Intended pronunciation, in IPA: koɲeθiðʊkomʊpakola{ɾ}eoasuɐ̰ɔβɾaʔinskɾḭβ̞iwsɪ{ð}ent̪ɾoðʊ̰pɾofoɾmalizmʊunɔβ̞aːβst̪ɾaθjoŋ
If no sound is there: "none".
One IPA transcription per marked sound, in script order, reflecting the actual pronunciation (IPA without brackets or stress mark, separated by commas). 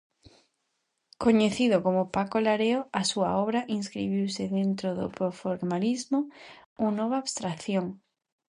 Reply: ɾ, ð